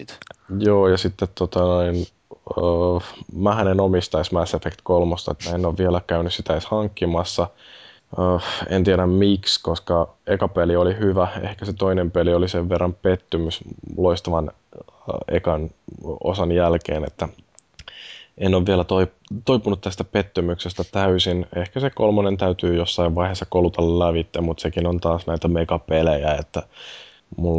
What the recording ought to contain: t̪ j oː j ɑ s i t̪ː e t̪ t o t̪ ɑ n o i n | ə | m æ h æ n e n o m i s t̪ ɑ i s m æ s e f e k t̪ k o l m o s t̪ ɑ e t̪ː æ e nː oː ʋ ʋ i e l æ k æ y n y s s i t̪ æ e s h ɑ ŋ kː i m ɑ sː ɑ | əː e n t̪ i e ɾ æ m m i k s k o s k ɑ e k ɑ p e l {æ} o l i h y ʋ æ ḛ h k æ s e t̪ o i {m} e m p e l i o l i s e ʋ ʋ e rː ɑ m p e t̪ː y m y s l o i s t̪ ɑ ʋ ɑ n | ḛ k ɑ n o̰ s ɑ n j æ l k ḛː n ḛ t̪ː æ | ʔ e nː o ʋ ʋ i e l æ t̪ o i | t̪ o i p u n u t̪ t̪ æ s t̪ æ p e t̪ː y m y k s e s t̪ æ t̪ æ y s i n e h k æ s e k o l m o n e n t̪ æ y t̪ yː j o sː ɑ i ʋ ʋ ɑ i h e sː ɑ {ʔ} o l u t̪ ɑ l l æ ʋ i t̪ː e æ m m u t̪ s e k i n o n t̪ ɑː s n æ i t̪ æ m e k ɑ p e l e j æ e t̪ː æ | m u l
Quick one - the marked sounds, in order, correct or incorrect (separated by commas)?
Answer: incorrect, incorrect, incorrect